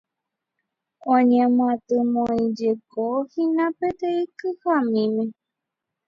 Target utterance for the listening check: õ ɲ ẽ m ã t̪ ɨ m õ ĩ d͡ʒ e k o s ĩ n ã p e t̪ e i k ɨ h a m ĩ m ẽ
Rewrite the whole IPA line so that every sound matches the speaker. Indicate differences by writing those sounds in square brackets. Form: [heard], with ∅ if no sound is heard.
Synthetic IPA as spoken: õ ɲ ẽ m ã t̪ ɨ m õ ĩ d͡ʒ e k o [h] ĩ n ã p e t̪ e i k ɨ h a m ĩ m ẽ